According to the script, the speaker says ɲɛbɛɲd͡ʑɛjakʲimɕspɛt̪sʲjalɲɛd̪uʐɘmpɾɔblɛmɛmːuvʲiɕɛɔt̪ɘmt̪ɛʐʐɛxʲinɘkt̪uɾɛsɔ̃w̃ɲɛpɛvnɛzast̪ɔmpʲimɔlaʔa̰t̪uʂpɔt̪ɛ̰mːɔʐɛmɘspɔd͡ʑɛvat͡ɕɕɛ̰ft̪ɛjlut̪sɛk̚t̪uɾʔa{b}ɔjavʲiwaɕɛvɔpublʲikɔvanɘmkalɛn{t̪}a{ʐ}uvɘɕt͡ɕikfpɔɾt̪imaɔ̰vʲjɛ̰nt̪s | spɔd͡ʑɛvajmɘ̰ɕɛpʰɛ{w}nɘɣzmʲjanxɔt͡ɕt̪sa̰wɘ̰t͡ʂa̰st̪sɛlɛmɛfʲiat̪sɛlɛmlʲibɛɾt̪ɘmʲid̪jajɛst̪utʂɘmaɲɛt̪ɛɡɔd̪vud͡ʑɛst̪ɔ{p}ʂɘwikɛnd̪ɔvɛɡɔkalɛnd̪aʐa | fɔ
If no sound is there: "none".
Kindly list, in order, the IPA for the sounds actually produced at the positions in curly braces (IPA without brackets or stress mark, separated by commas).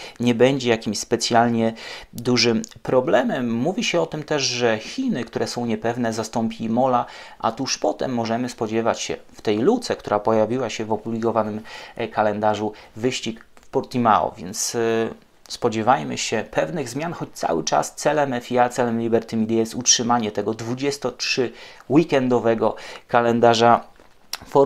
p, d̪, ʐ, v, t